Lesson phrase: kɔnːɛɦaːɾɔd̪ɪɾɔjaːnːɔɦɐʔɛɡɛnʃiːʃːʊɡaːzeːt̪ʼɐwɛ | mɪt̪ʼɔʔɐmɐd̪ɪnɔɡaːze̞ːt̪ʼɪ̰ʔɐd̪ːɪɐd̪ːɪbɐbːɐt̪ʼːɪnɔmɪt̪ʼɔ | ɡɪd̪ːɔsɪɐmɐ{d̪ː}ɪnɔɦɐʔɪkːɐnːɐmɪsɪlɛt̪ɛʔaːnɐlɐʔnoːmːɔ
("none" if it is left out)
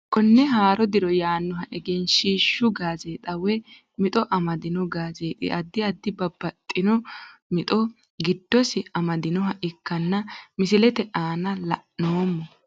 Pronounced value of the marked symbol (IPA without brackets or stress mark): d̪